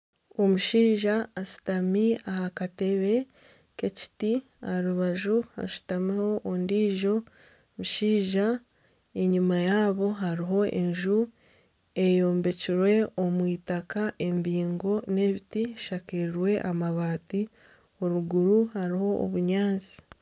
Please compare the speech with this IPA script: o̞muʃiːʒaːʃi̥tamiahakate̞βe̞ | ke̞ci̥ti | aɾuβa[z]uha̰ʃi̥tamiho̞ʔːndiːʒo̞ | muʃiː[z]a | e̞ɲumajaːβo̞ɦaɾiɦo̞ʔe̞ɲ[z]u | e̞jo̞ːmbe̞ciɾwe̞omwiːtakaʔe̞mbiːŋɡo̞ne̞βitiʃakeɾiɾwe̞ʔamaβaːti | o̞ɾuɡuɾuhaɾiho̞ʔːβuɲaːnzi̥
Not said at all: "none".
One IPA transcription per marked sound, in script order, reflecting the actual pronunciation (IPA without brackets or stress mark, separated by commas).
ʒ, ʒ, ʒ